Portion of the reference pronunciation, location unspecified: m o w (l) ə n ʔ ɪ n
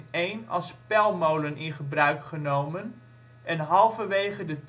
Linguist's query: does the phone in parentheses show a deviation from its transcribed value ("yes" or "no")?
no